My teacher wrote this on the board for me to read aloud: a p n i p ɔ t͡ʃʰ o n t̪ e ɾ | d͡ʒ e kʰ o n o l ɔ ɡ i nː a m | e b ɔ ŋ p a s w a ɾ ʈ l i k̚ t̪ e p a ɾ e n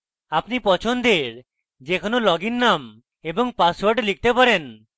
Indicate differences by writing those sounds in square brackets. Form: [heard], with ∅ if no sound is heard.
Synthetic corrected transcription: a p n i p ɔ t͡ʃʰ o n [d̪] e ɾ | d͡ʒ e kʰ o n o l ɔ ɡ i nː a m | e b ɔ ŋ p a s w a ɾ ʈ l i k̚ t̪ e p a ɾ e n